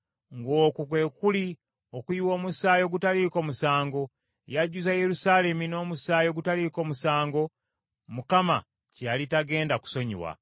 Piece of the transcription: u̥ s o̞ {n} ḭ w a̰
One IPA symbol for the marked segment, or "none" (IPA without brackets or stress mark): ɲ